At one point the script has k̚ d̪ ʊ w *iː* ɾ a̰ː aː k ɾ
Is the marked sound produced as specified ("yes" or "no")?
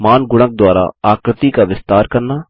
no